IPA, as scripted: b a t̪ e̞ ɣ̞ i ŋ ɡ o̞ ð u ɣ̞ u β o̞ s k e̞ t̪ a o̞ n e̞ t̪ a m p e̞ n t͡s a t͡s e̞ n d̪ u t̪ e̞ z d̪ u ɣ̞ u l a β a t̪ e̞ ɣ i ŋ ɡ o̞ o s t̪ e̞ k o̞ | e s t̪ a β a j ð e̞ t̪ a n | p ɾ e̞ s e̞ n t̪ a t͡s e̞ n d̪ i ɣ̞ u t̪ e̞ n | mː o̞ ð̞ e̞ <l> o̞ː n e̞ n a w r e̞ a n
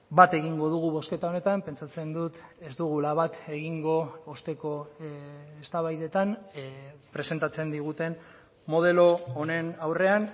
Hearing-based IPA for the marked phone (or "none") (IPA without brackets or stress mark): l